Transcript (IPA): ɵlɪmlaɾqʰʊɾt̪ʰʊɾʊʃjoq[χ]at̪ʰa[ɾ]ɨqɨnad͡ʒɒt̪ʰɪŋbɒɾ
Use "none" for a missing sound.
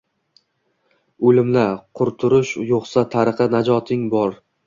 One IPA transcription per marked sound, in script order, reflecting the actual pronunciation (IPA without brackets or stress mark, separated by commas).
s, ɾ